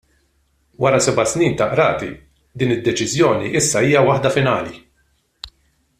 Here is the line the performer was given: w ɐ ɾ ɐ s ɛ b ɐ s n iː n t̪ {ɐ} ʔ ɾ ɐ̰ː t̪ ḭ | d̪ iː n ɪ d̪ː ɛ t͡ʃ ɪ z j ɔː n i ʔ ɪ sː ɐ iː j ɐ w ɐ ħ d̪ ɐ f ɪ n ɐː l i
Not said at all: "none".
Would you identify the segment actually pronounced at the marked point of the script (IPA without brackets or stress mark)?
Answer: ɐ